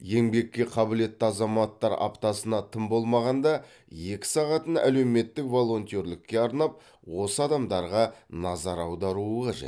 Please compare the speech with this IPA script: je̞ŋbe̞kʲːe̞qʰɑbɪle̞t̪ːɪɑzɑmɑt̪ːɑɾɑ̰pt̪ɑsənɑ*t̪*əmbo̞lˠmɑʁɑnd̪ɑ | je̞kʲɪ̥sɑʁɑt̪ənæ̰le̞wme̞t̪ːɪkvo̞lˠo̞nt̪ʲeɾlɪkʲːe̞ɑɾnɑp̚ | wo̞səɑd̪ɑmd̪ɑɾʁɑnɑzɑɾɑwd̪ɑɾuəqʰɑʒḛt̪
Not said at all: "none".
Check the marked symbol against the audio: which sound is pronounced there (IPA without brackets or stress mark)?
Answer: t̪ʰ